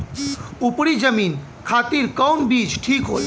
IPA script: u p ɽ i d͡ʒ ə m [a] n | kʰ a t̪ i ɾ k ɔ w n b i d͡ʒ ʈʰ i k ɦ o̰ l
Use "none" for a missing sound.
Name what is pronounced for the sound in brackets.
i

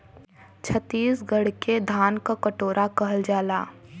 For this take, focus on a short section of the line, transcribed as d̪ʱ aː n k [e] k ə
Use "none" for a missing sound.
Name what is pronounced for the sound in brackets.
a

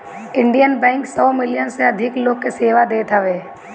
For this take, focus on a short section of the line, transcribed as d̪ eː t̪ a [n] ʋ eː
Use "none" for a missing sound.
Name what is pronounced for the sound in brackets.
none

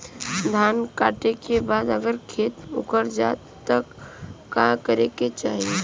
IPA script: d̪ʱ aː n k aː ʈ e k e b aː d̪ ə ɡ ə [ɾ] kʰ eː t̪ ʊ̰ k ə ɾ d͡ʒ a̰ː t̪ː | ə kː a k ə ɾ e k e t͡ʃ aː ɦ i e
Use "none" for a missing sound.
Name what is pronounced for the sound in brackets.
ɾ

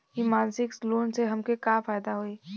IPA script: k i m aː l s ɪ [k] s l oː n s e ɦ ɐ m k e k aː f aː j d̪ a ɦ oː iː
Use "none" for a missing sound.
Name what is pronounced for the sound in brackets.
k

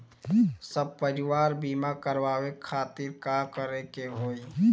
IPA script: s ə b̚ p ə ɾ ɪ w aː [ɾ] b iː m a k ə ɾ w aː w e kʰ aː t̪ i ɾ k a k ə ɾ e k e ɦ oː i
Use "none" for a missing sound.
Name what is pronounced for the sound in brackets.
ɾ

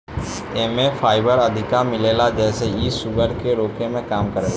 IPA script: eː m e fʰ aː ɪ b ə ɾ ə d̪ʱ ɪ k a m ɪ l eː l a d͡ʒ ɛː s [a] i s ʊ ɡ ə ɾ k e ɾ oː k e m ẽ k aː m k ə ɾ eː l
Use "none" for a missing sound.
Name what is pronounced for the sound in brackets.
e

